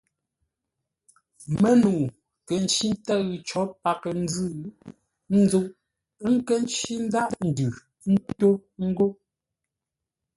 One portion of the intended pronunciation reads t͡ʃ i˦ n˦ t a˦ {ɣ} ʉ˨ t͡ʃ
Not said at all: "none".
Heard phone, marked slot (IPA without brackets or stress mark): ɣ